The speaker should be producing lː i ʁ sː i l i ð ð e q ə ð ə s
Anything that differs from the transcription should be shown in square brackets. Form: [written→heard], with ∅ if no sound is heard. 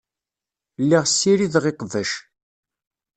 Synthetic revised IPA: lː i ʁ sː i [l→ɾ] i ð [ð→ʁ] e q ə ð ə [s→ʃ]